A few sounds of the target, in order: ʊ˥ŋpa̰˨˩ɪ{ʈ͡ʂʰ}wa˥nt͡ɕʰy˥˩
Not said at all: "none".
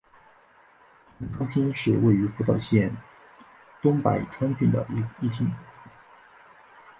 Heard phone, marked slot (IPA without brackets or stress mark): ʈ͡ʂʰ